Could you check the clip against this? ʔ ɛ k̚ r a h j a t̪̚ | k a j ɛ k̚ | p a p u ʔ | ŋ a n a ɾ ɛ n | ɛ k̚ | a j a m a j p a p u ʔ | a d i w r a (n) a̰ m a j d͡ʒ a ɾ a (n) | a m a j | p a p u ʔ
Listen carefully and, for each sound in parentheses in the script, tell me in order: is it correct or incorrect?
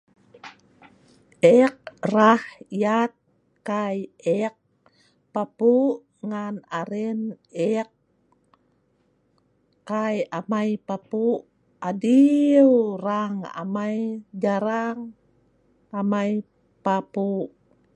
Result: incorrect, incorrect

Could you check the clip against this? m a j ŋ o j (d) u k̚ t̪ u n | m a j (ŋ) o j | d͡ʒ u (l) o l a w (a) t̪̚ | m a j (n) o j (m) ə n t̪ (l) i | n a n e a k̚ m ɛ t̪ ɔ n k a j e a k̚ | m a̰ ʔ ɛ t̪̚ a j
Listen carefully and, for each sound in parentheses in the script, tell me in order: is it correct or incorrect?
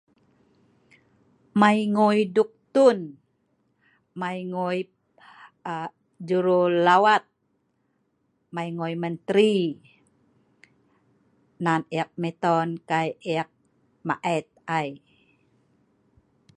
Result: correct, correct, incorrect, correct, incorrect, correct, incorrect

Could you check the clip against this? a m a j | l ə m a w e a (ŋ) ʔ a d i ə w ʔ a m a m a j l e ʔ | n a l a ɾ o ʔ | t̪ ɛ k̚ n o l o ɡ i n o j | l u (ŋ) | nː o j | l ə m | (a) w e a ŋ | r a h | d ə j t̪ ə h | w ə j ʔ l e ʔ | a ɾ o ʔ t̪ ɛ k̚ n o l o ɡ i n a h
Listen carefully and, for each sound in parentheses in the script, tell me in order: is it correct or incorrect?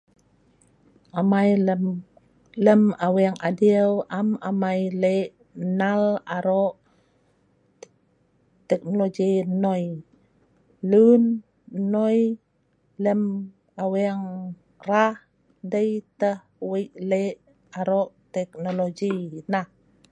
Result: correct, incorrect, correct

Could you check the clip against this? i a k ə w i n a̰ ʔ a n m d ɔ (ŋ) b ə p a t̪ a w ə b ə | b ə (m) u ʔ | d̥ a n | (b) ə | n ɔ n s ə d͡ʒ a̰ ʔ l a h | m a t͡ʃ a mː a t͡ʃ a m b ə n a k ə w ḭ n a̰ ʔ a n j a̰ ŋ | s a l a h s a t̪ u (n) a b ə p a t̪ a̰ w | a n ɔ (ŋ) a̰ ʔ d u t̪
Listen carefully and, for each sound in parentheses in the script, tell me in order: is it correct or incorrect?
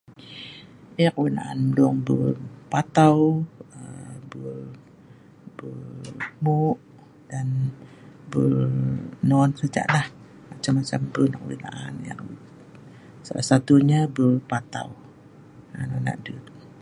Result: correct, correct, correct, incorrect, incorrect

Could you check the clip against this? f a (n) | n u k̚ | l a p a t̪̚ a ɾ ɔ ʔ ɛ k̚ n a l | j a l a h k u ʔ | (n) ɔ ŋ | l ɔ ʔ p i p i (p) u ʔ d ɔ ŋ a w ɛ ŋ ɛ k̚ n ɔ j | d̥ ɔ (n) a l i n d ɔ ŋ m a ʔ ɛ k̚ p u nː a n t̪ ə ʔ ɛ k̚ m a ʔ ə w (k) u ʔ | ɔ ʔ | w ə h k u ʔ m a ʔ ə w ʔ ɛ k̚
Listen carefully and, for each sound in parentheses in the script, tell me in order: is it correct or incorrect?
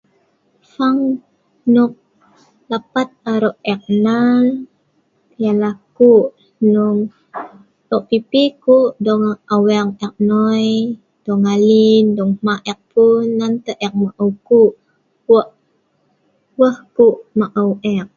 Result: incorrect, correct, incorrect, incorrect, correct

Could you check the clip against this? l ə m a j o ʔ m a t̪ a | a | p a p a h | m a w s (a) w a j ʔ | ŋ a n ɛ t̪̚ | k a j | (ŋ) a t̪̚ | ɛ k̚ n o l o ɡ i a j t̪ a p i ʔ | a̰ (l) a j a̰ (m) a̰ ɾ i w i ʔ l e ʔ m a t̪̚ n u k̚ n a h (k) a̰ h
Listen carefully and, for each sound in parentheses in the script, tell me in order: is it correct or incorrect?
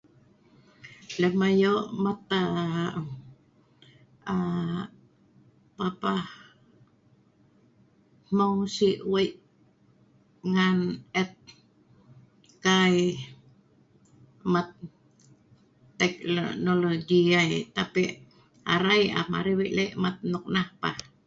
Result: incorrect, incorrect, incorrect, correct, incorrect

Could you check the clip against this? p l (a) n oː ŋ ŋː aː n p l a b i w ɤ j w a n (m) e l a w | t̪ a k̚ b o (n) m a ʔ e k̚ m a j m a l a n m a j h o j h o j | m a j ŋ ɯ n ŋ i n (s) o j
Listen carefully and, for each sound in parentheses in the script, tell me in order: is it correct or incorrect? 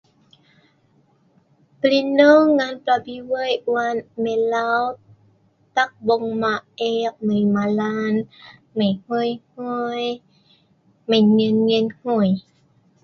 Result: incorrect, correct, incorrect, incorrect

